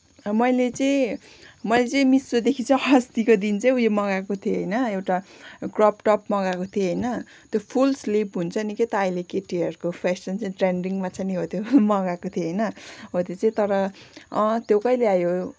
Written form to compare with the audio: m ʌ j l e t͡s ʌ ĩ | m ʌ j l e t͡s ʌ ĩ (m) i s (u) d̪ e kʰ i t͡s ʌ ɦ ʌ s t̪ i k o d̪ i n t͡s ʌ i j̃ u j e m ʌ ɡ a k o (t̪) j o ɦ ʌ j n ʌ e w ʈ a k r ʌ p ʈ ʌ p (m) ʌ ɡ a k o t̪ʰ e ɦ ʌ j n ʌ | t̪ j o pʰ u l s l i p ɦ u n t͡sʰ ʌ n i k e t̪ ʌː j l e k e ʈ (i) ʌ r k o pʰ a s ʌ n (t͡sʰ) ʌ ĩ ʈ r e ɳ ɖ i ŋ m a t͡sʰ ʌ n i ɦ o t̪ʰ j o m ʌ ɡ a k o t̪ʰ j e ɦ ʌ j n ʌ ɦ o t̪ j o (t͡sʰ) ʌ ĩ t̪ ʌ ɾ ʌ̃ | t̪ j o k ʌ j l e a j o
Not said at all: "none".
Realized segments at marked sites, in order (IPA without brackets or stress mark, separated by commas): m, o, t̪ʰ, m, i, t͡s, t͡s